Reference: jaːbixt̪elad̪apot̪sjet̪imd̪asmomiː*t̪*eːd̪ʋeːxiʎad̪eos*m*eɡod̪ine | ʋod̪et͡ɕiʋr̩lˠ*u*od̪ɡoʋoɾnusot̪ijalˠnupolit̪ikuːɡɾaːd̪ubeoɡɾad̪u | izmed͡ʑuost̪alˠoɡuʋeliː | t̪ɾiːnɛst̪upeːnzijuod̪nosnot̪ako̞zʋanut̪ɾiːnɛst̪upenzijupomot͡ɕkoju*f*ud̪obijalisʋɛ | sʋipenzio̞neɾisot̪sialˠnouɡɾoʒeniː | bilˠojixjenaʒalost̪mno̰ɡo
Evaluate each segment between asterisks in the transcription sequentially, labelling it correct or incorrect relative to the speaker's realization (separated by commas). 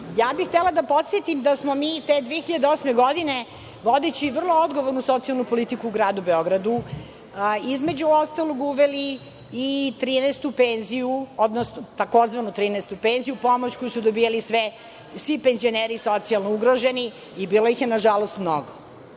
correct, correct, incorrect, incorrect